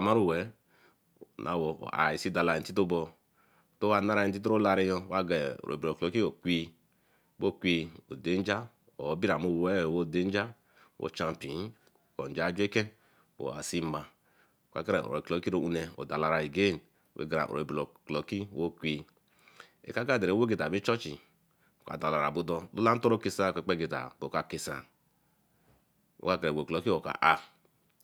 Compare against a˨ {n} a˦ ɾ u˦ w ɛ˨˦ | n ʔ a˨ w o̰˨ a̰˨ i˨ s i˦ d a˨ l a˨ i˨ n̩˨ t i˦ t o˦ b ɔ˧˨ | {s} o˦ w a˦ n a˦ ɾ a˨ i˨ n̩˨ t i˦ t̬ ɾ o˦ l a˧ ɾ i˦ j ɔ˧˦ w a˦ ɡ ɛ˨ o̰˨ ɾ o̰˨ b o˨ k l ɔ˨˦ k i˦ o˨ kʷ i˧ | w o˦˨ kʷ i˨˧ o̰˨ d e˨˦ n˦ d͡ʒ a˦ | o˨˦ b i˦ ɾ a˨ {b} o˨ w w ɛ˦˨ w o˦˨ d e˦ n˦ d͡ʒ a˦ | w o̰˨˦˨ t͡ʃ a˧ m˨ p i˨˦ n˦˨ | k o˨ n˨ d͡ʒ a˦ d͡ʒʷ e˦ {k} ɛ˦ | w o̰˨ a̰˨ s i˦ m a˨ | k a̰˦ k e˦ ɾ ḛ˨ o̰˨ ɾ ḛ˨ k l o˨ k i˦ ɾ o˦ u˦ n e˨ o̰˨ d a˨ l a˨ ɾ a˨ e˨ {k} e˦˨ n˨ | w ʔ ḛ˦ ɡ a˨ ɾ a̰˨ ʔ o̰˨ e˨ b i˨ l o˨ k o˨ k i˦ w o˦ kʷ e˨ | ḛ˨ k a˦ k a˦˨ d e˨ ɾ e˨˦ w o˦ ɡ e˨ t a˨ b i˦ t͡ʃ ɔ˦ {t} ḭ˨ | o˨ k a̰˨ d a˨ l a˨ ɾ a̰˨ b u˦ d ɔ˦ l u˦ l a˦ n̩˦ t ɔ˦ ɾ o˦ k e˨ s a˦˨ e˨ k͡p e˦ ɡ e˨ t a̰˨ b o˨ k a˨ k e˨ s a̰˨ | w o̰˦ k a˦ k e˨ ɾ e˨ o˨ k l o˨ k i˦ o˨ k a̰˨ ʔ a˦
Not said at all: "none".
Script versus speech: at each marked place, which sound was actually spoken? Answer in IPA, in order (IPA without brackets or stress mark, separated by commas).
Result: m, t, m, k, ɡ, t͡ʃ